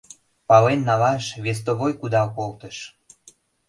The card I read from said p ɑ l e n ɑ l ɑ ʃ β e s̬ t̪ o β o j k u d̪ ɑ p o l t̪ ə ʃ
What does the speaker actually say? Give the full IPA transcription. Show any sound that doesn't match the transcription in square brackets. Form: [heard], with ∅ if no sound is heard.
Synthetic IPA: p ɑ l e [nː] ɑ l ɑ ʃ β e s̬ t̪ o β o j k u d̪ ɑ [k] o l t̪ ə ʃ

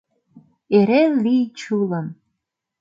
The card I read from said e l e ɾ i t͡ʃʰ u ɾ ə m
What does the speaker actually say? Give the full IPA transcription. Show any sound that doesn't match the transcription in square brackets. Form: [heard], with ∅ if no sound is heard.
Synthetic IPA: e [ɾ] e [l] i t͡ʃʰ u [l] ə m

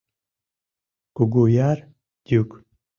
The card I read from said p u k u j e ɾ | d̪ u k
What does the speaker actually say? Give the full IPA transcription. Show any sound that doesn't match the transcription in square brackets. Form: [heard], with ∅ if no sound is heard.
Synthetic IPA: [k] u [ɡ] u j [a] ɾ | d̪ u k

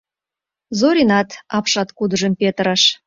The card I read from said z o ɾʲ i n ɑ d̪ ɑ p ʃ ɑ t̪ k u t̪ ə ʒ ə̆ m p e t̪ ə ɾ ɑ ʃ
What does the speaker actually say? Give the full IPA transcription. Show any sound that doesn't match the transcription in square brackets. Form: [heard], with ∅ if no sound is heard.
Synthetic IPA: z o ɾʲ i n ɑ [t̪] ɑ p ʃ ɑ t̪ k u [d̪] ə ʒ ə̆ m p e t̪ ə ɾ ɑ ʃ

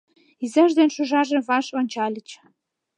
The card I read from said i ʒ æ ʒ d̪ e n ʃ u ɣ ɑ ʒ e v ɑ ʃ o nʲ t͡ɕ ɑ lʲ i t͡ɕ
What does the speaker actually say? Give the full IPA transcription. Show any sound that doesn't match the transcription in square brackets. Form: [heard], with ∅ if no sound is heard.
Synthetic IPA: i [z] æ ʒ d̪ e n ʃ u [ʒ] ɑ ʒ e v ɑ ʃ o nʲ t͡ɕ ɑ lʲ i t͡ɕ

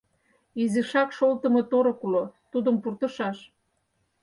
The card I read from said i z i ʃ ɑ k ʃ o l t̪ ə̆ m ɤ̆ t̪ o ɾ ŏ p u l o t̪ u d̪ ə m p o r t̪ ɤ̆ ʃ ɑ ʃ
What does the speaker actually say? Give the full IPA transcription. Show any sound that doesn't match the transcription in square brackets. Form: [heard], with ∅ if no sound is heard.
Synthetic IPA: i z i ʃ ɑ k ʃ o l t̪ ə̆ m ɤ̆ t̪ o ɾ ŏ [k] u l o t̪ u d̪ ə m p [u] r t̪ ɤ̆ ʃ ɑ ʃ

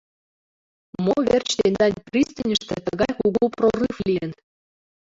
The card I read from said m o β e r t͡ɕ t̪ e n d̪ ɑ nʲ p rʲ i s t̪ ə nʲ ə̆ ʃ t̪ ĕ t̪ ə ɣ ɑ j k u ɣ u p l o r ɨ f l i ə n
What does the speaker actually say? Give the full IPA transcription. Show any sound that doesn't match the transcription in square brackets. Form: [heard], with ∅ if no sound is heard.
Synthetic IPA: m o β e r t͡ɕ t̪ e n d̪ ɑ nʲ p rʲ i s t̪ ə nʲ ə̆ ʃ t̪ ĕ t̪ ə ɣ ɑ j k u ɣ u p [r] o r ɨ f l i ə n

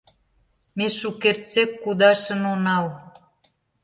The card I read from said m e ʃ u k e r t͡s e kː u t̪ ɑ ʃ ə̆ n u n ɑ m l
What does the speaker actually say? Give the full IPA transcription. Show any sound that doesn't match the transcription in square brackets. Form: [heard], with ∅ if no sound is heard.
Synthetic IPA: m e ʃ u k e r t͡s e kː u [d̪] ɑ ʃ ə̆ n [o] n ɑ [∅] l

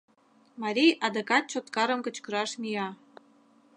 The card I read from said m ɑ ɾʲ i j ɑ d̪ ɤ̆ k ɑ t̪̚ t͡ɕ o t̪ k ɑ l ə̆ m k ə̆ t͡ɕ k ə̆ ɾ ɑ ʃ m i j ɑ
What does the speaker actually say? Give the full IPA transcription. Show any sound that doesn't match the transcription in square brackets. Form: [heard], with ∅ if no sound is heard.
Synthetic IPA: m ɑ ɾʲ i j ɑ d̪ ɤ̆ k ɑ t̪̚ t͡ɕ o t̪ k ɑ [ɾ] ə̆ m k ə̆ t͡ɕ k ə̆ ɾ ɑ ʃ m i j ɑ

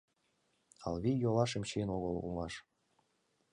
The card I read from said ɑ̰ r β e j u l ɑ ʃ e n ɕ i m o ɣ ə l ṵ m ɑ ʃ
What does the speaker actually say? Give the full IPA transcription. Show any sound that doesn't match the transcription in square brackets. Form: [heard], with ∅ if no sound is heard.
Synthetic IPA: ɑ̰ [l] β [i] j [o] l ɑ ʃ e [m] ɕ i [n] o ɣ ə l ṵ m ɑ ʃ

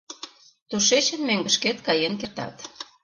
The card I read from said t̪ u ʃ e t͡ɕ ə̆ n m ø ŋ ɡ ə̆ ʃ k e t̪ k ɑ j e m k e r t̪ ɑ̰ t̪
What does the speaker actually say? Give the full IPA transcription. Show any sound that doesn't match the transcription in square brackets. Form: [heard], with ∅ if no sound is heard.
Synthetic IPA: t̪ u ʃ e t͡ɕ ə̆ n m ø ŋ ɡ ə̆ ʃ k e t̪ k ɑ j e [n] k e r t̪ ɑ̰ t̪

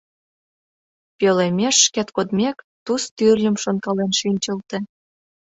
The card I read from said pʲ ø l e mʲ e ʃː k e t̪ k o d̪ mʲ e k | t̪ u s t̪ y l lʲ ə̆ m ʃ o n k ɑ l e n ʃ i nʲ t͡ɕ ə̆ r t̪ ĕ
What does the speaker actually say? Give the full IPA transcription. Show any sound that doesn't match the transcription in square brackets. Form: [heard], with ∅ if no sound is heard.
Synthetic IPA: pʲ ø l e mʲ e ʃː k e t̪ k o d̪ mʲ e k | t̪ u s t̪ y [r] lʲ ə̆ m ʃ o n k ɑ l e n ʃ i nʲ t͡ɕ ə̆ [l] t̪ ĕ

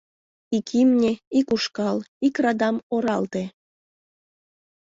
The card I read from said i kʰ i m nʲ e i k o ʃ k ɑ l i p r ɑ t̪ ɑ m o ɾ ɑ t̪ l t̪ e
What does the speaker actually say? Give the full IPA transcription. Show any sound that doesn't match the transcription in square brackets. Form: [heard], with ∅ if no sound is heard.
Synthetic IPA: i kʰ i m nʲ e i k [u] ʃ k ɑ l i [k] r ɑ [d̪] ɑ m o ɾ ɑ [∅] l t̪ e

